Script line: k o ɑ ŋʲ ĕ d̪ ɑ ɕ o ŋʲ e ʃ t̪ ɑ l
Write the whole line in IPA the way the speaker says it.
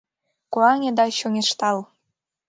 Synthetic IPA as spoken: k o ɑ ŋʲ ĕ d̪ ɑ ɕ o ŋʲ e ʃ t̪ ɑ l